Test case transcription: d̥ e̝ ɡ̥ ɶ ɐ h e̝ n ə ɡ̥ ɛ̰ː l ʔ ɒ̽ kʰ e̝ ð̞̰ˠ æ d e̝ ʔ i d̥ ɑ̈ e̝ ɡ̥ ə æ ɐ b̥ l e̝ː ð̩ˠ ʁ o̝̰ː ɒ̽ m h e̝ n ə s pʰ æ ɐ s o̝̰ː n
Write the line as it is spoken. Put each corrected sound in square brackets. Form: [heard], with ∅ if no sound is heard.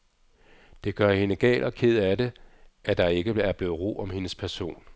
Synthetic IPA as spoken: d̥ e̝ ɡ̥ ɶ ɐ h e̝ n ə ɡ̥ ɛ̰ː l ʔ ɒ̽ kʰ e̝ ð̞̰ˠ æ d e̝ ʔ [æ] d̥ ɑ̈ e̝ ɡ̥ ə æ ɐ b̥ l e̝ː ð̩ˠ ʁ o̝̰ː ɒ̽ m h e̝ n ə s pʰ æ ɐ s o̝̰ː n